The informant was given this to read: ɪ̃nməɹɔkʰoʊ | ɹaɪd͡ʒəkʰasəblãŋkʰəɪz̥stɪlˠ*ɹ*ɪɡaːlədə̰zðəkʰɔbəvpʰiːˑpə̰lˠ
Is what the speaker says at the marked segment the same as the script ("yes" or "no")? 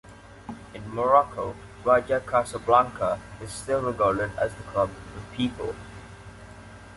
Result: yes